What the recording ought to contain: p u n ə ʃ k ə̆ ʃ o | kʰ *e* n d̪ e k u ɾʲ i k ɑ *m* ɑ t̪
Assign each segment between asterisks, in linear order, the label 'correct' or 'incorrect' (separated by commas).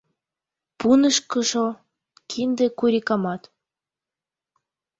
incorrect, correct